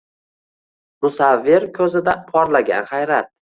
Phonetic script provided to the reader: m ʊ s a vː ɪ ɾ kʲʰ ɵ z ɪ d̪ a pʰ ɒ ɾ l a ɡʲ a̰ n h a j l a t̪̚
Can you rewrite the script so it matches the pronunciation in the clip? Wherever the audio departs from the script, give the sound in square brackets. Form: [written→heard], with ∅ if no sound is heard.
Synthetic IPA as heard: m ʊ s a vː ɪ ɾ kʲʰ ɵ z ɪ d̪ a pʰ ɒ ɾ l a ɡʲ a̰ n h a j [l→ɾ] a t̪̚